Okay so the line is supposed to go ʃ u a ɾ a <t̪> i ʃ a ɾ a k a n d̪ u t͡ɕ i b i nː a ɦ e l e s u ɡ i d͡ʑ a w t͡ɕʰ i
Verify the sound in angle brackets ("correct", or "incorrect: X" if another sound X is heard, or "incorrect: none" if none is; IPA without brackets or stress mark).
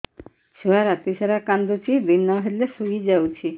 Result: correct